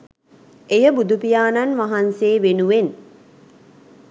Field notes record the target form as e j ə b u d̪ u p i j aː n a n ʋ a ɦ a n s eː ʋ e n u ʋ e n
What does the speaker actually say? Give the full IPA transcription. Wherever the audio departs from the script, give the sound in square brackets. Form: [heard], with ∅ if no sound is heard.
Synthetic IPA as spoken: e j ə b u d̪ u p i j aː n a n ʋ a ɦ a n s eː ʋ e n u ʋ e n